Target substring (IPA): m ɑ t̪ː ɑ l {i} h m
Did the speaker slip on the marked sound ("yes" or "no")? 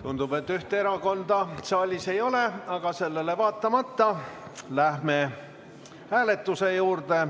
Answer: yes